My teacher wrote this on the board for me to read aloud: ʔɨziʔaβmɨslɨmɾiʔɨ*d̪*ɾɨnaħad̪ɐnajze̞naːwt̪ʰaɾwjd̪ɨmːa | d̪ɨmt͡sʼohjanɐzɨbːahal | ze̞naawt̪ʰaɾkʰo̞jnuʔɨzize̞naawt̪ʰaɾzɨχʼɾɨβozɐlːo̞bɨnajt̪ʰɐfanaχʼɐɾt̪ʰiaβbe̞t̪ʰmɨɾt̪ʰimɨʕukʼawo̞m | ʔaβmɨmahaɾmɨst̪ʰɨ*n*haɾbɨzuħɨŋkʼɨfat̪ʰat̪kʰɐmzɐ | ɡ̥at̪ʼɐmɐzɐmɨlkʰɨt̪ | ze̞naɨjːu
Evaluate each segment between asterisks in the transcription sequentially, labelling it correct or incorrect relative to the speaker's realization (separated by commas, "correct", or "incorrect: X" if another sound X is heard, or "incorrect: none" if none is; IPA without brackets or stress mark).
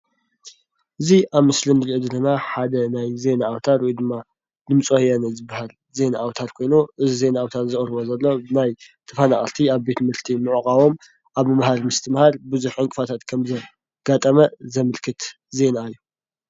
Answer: correct, incorrect: m